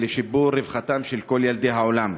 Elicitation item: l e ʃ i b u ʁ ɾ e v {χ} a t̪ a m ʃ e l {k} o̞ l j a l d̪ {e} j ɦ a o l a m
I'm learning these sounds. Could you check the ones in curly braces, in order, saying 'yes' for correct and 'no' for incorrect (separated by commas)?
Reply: yes, yes, yes